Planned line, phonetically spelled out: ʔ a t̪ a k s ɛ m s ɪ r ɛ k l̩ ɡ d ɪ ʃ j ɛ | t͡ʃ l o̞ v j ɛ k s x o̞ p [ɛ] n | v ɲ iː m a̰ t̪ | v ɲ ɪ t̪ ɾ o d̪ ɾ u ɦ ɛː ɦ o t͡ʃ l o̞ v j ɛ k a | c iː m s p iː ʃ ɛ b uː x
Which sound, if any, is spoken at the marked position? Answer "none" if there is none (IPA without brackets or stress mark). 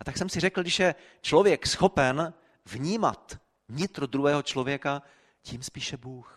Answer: ɛ